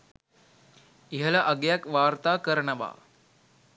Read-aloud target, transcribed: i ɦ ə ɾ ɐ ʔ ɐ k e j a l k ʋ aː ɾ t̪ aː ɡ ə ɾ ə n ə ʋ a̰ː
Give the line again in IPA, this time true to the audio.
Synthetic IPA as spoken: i ɦ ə l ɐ ʔ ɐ ɡ e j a k ʋ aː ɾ t̪ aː k ə ɾ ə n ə ʋ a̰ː